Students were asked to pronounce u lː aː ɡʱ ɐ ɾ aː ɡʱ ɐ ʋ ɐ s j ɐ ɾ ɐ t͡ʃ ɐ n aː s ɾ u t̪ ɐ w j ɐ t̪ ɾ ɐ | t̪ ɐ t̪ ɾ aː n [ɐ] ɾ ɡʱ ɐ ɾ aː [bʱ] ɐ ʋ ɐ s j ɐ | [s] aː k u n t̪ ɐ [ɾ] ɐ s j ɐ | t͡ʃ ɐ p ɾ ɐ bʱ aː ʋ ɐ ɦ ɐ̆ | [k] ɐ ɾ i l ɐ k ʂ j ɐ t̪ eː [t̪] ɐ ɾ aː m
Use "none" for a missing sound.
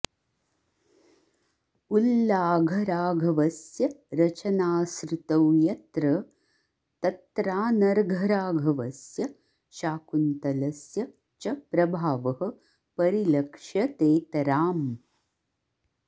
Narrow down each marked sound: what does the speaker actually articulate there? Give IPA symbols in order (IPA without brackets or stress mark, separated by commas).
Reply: ɐ, ɡʱ, ʃ, l, p, t̪